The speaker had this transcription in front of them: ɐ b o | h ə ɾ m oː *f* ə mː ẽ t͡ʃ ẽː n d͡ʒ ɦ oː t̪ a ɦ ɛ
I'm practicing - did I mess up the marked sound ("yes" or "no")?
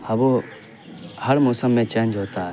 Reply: yes